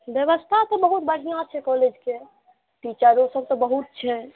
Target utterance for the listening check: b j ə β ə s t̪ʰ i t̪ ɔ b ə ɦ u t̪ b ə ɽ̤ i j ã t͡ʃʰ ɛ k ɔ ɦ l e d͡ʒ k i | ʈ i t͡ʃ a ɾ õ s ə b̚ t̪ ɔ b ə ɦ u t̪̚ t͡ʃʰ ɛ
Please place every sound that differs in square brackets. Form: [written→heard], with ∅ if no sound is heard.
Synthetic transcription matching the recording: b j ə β ə s t̪ʰ [i→a] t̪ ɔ b ə ɦ u t̪ b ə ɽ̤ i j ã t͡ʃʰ ɛ k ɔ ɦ l e d͡ʒ k [i→e] | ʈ i t͡ʃ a ɾ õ s ə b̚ t̪ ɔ b ə ɦ u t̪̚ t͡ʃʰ ɛ